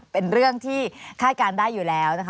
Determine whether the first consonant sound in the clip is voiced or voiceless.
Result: voiceless